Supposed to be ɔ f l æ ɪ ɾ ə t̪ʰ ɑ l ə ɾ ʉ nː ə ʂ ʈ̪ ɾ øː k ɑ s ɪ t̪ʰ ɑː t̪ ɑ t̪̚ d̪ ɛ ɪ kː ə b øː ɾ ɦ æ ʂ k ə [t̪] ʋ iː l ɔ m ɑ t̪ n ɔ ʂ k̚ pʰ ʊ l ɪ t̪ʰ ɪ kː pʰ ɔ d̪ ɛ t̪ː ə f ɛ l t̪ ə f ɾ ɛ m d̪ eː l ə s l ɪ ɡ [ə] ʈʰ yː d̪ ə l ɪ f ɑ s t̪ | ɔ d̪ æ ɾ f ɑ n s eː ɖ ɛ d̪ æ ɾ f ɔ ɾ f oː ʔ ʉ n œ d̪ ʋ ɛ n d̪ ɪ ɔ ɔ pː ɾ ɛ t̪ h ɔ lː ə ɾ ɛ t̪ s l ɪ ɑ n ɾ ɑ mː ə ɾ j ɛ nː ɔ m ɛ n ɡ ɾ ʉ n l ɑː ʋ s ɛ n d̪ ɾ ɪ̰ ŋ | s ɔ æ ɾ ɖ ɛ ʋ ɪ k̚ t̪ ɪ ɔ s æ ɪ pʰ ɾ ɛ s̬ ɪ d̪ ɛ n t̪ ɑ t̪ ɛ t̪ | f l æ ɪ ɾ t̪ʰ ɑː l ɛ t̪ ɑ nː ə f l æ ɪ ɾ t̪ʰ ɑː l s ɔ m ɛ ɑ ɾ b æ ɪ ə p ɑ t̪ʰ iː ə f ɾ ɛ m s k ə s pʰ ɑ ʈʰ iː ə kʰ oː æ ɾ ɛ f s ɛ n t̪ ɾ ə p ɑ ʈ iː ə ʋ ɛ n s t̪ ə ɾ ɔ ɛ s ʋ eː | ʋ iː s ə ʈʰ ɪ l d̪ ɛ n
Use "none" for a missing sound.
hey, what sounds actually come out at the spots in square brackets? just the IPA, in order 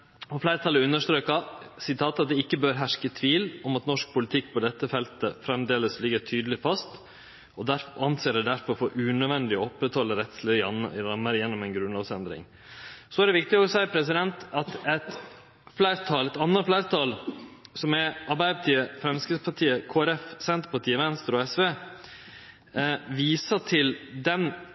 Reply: t̪ʰ, ə

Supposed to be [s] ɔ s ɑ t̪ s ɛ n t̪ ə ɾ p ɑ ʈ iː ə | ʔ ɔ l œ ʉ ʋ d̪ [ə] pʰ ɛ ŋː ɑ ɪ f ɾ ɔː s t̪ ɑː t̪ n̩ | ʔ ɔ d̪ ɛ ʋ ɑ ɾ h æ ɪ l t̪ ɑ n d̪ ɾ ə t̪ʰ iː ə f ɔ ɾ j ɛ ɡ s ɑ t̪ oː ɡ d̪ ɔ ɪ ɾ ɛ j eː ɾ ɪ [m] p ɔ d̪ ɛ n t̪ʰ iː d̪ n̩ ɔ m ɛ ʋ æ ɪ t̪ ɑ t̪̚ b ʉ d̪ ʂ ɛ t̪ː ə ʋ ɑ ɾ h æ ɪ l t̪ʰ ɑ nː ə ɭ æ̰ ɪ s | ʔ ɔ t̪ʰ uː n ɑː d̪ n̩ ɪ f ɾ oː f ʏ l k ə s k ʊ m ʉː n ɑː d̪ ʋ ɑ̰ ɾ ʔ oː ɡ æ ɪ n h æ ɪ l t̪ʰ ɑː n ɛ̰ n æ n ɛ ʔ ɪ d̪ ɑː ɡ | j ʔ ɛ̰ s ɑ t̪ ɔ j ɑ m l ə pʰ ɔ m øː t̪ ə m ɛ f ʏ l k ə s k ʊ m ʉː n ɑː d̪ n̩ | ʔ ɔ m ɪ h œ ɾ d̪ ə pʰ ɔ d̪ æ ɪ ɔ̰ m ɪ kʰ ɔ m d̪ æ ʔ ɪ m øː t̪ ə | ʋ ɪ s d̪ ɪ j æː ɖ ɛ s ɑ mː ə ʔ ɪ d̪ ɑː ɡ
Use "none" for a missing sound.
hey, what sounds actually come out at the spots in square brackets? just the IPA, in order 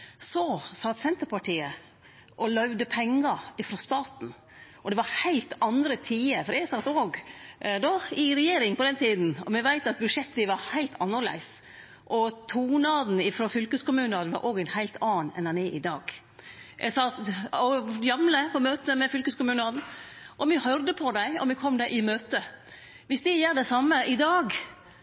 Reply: s, ə, ŋ

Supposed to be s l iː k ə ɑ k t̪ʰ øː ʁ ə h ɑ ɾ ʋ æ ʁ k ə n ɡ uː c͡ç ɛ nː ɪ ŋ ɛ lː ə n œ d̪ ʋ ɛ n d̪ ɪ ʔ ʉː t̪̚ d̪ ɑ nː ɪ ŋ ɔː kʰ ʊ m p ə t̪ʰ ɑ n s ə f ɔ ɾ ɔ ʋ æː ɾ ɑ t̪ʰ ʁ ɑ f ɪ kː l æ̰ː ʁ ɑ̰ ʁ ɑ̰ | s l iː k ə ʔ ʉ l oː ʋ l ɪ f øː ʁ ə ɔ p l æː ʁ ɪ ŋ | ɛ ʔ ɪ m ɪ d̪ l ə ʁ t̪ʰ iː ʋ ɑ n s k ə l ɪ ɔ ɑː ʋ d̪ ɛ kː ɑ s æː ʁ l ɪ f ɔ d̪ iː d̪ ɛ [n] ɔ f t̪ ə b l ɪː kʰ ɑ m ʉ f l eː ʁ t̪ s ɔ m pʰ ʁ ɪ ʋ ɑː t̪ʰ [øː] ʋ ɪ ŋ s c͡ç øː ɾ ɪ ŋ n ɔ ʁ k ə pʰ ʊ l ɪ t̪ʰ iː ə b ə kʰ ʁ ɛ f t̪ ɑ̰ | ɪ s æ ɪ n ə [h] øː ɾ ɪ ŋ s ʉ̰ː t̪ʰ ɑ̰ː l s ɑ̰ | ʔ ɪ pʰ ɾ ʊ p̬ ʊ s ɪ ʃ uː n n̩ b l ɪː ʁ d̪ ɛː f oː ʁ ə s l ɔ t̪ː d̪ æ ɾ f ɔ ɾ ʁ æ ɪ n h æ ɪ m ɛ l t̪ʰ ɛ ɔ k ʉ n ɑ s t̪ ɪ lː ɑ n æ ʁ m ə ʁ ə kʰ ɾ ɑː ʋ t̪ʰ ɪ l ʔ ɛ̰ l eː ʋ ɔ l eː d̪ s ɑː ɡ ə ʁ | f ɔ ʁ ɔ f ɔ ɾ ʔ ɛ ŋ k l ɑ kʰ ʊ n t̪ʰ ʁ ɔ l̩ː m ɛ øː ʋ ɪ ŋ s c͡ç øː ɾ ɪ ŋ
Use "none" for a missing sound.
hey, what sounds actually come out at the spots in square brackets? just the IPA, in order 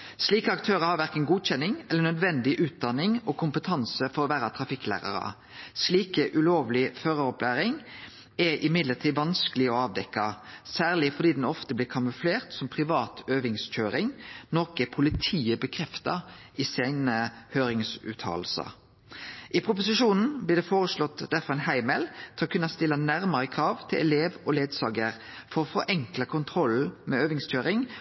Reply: n, øː, h

